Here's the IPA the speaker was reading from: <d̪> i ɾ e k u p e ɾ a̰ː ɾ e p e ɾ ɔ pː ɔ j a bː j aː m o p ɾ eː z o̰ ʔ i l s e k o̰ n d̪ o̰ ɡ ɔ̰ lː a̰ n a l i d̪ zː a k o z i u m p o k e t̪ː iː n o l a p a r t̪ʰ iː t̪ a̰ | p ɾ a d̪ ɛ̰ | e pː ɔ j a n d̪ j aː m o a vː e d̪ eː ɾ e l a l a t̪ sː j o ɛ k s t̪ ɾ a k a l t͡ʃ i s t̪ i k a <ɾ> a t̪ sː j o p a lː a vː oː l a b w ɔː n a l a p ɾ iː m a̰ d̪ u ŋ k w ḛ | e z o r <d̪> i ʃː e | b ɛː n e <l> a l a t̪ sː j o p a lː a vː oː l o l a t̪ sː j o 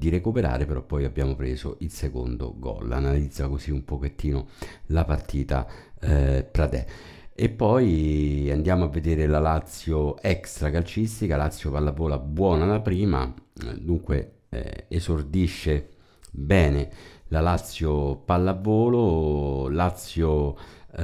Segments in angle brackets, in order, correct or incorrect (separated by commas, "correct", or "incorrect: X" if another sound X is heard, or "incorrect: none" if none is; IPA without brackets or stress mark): correct, incorrect: l, correct, correct